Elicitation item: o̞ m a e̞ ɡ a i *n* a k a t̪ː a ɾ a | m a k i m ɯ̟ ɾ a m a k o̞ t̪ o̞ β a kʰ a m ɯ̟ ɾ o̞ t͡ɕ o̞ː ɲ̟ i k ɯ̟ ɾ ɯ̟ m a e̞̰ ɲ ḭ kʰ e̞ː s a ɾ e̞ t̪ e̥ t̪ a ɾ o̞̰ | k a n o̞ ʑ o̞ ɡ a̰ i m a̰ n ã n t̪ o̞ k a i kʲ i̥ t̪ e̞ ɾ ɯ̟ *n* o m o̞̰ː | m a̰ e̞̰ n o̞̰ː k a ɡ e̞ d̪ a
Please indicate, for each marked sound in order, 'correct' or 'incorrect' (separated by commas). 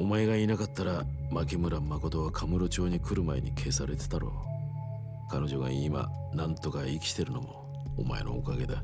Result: correct, correct